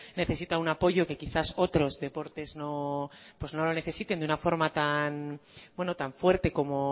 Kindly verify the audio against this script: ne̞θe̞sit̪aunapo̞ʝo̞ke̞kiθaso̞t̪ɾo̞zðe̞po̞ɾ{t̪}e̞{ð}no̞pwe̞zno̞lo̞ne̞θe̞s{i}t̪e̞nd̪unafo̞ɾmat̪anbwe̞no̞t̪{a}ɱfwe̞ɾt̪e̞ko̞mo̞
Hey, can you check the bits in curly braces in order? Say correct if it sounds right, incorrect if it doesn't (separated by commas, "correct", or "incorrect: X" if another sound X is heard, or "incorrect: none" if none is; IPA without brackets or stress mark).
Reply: correct, incorrect: z, correct, correct